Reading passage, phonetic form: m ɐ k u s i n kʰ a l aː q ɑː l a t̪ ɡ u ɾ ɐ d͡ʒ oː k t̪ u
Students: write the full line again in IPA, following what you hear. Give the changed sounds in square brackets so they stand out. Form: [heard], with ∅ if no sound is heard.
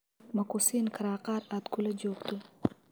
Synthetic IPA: m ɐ k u s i n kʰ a [ɾ] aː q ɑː [ɾ] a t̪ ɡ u [l] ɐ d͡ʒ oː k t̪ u